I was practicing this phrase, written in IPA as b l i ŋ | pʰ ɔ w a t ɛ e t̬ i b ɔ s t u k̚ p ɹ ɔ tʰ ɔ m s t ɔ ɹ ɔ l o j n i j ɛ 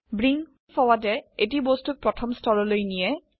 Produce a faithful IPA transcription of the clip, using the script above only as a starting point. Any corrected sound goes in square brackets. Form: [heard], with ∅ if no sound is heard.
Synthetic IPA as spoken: b [ɹ] i ŋ | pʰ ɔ w a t ɛ e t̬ i b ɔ s t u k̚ p ɹ ɔ tʰ ɔ m s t ɔ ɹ ɔ l o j n i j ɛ